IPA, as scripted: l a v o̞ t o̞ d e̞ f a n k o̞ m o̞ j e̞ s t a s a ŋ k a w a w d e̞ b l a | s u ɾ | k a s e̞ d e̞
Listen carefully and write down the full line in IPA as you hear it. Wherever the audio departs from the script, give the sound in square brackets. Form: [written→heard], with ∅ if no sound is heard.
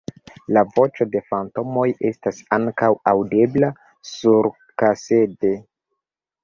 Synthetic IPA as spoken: l a v o̞ [t→t͡ʃ] o̞ d e̞ f a n [k→t] o̞ m o̞ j e̞ s t a s a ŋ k a w a w d e̞ b l a | s u ɾ | k a s e̞ d e̞